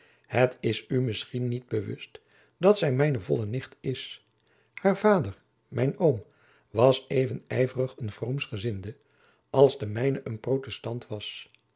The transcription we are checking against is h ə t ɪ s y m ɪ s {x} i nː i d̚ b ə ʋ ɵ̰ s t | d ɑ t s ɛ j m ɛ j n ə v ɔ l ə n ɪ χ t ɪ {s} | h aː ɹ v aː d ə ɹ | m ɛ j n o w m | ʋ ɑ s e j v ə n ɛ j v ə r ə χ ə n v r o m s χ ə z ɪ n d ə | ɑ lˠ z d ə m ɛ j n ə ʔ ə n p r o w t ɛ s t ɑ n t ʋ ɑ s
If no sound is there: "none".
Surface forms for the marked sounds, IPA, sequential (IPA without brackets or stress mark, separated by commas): χ, s